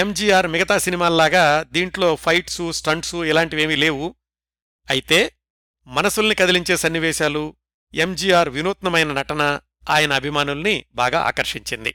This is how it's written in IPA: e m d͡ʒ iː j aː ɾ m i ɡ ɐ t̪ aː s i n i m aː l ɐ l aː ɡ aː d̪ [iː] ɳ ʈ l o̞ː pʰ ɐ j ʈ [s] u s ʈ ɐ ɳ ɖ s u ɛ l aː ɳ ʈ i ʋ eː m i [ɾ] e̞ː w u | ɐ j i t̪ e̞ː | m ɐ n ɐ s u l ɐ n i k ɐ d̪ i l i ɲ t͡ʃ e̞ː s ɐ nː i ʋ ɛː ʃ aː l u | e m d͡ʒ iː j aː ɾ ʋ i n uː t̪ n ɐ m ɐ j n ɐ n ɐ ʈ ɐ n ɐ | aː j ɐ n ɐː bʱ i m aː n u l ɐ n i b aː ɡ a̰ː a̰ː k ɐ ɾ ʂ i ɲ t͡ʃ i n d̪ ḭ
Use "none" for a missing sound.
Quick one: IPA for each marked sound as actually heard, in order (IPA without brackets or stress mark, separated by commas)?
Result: iː, s, l